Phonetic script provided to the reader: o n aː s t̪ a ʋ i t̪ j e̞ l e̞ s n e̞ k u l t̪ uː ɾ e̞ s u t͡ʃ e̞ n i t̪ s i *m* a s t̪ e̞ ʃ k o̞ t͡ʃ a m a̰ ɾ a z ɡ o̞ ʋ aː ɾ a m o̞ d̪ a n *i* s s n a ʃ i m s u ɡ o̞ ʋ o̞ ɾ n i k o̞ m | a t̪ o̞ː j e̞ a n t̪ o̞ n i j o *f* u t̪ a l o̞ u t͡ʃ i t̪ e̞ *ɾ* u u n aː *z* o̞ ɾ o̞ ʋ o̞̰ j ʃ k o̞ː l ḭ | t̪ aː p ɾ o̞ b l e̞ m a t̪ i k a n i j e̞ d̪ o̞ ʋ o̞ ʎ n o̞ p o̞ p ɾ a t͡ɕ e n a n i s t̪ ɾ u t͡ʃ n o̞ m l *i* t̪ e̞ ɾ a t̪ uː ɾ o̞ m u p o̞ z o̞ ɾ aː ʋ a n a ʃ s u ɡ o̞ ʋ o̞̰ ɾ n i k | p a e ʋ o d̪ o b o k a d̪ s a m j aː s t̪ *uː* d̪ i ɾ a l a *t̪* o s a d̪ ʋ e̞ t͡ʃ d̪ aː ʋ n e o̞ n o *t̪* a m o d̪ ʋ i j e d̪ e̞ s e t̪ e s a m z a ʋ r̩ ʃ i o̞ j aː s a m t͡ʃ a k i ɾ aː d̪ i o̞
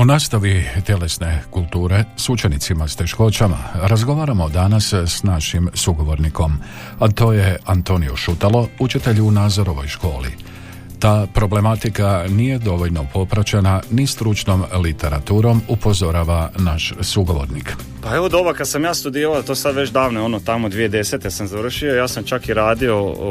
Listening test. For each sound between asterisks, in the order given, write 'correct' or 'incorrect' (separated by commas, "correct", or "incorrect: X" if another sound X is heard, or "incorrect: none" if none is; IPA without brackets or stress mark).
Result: correct, incorrect: a, incorrect: ʃ, incorrect: ʎ, correct, correct, incorrect: u, correct, correct